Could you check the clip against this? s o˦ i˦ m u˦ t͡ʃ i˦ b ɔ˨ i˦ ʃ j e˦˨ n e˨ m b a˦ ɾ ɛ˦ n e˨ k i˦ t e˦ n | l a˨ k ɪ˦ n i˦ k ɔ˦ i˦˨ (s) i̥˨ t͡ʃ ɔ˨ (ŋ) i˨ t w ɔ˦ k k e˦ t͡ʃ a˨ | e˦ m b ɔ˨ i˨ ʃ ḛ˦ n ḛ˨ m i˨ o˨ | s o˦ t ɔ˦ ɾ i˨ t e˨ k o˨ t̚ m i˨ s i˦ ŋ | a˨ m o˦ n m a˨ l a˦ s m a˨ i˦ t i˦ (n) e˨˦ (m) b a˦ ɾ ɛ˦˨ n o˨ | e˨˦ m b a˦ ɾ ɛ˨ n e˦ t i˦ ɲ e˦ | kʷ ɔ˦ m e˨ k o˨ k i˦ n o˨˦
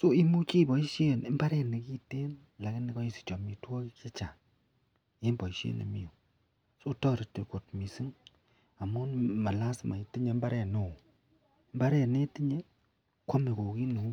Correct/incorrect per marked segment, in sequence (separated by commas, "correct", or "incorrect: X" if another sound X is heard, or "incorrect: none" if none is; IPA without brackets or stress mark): correct, incorrect: m, incorrect: ɲ, correct